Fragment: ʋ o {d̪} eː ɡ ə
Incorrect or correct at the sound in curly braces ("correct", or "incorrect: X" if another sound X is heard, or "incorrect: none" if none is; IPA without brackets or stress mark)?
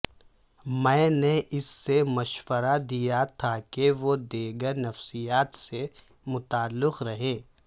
correct